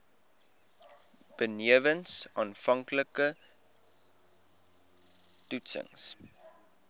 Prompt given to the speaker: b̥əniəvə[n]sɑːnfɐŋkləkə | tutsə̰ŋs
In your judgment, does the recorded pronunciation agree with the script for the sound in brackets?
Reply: yes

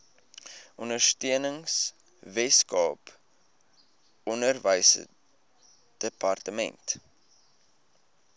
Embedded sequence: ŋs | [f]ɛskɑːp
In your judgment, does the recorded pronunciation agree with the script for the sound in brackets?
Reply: no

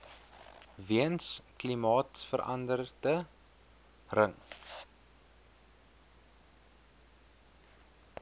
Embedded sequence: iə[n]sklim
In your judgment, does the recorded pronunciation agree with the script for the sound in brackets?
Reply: yes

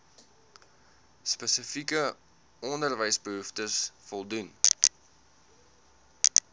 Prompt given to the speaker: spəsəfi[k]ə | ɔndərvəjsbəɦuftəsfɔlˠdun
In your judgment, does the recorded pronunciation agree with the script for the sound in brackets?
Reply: yes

